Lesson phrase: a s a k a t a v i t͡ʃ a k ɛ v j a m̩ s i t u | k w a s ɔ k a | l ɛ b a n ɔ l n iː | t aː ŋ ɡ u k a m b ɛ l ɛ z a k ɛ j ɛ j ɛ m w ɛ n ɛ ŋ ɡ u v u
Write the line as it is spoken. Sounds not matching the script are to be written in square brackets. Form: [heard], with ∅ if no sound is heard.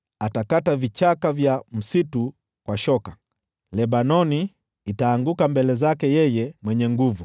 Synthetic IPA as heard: a [t] a k a t a v i t͡ʃ a k [a] v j a m̩ s i t u | k w a [ʃ] ɔ k a | l ɛ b a n ɔ [∅] n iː | t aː ŋ ɡ u k a m b ɛ l ɛ z a k ɛ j ɛ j ɛ m w ɛ [ɲ] ɛ ŋ ɡ u v u